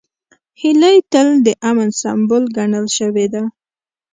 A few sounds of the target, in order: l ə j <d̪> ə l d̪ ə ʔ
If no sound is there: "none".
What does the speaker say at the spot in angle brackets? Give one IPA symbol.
t̪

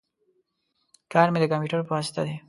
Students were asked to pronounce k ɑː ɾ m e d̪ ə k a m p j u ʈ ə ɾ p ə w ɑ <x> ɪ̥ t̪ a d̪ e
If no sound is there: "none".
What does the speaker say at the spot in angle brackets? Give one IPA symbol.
s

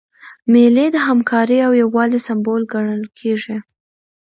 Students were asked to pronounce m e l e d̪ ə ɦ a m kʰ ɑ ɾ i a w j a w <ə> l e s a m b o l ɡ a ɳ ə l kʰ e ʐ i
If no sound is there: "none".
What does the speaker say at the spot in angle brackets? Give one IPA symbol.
ɑ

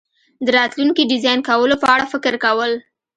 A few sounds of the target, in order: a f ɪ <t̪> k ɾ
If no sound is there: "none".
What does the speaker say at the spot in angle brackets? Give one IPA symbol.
none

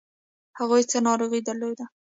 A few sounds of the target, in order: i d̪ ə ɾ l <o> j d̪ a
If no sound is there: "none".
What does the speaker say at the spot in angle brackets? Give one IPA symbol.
o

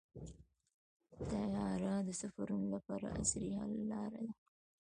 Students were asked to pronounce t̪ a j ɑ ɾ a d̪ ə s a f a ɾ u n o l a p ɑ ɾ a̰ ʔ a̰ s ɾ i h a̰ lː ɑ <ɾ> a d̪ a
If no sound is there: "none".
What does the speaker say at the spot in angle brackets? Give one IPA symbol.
ɾ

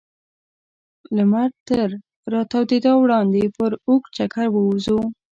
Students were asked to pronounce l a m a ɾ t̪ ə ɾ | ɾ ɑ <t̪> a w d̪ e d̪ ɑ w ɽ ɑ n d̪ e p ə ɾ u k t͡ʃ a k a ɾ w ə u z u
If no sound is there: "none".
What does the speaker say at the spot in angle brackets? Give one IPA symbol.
t̪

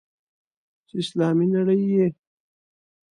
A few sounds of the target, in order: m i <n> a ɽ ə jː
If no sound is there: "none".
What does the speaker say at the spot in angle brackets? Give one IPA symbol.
n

